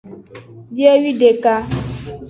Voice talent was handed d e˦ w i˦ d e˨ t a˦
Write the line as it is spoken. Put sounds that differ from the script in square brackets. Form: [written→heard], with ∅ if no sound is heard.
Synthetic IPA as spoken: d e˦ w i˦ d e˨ [t→k] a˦

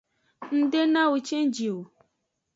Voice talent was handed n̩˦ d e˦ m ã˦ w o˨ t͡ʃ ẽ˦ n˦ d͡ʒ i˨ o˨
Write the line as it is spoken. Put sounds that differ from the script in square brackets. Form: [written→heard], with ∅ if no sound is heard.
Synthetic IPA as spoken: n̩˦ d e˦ [m→n] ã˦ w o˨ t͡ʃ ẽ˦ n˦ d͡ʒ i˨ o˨

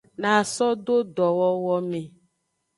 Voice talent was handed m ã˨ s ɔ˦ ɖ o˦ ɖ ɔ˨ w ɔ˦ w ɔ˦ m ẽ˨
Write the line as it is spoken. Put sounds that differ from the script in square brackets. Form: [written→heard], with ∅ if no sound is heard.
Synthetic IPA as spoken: [m→n] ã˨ s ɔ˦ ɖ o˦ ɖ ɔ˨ w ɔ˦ w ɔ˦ m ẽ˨

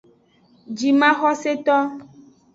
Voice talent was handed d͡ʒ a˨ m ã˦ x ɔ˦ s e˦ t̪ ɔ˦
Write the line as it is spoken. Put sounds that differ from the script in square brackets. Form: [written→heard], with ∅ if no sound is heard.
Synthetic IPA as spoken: d͡ʒ [a˨→i˨] m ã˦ x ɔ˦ s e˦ t̪ ɔ˦

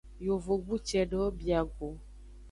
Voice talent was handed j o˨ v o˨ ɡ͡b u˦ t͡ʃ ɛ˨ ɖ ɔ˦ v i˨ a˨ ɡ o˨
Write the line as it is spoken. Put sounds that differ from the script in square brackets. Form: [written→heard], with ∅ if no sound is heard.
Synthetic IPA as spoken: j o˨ v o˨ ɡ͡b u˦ t͡ʃ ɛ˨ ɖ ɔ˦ [v→b] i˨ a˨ ɡ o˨

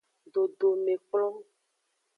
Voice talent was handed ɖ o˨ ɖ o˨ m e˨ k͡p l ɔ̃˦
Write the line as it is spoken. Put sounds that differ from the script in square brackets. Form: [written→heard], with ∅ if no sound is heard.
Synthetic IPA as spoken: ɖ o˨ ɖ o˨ m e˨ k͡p l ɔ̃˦

